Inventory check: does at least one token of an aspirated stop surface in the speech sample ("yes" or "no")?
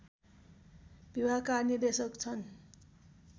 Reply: yes